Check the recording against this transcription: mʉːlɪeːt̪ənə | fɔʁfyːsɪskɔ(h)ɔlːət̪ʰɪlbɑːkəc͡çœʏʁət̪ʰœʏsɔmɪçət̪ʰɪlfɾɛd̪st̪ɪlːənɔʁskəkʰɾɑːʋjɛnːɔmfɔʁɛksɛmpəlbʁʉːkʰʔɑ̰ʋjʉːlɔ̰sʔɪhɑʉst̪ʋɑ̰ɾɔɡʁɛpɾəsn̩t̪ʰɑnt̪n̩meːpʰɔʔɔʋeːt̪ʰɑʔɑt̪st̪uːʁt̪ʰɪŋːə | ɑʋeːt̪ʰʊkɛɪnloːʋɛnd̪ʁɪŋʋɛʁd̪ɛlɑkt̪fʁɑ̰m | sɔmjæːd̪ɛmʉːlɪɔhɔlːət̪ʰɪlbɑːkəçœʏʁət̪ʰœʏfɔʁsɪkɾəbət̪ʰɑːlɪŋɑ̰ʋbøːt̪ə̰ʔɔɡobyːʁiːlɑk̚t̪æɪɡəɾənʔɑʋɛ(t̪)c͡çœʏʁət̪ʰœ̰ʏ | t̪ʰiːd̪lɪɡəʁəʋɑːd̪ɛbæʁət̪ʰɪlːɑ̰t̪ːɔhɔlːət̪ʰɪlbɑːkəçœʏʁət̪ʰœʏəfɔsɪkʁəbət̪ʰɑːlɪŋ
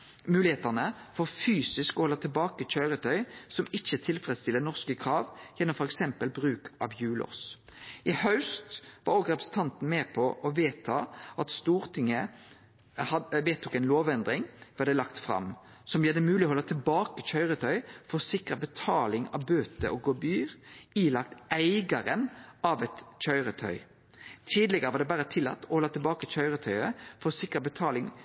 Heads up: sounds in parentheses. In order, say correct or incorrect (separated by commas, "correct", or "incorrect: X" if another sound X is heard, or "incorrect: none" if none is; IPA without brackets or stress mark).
correct, correct